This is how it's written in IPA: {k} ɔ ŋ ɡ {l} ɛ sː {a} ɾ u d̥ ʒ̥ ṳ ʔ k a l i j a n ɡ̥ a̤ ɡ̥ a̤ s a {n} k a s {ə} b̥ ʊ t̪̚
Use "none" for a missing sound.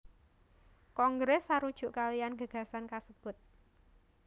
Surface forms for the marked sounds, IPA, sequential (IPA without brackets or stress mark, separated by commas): k, ɾ, a, n, ə